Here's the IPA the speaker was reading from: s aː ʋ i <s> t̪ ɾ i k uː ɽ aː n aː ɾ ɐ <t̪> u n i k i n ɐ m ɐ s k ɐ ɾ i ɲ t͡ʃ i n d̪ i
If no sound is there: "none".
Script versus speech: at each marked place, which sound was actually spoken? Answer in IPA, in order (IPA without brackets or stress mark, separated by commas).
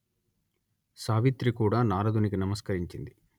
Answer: none, d̪